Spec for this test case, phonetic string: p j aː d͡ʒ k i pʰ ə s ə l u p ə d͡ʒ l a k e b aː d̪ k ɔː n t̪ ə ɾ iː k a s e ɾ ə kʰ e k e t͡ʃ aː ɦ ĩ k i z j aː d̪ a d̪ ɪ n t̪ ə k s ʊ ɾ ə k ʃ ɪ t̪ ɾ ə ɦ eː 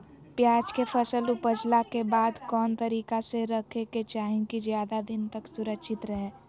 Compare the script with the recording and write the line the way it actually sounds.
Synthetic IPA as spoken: p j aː d͡ʒ k e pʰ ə s ə l u p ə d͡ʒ l a k e b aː d̪ k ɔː n t̪ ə ɾ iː k a s e ɾ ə kʰ e k e t͡ʃ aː ɦ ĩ k i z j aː d̪ a d̪ ɪ n t̪ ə k s ʊ ɾ ə k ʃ ɪ t̪ ɾ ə ɦ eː